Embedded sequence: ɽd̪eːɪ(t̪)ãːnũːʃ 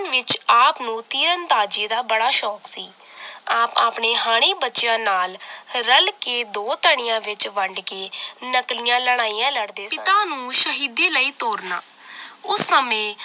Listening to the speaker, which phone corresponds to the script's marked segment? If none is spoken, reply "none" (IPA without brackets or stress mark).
t̪